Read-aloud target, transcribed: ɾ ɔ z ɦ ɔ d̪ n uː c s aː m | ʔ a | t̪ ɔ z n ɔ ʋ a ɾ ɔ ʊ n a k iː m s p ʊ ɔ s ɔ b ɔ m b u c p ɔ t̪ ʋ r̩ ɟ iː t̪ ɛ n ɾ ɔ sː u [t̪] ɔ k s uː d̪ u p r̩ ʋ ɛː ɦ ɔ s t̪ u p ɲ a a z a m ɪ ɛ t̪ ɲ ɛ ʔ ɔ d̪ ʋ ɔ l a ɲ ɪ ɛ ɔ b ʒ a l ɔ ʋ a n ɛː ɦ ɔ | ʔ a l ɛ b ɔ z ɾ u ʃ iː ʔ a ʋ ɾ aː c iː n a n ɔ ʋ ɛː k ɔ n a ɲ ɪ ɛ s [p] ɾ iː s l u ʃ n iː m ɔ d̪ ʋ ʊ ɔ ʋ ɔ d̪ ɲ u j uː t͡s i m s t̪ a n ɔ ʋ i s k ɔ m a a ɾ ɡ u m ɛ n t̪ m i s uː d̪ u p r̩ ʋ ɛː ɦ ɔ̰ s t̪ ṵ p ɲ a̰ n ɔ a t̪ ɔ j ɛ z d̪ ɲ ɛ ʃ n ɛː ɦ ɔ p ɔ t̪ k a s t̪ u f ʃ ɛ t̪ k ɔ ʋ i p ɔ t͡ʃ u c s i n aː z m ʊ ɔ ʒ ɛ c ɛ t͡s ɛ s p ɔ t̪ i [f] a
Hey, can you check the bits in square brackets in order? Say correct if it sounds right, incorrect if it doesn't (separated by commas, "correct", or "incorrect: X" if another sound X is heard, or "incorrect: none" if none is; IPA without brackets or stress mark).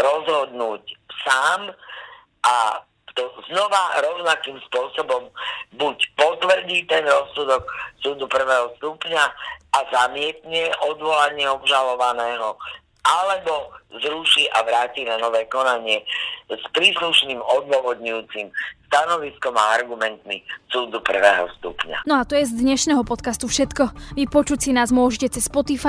incorrect: d̪, correct, correct